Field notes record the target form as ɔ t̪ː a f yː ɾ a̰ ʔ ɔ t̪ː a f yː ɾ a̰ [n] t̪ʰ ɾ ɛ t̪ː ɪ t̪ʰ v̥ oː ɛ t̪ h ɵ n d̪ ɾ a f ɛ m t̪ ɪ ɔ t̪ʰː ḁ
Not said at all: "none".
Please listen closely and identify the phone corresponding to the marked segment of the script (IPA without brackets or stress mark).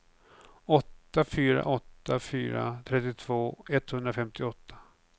none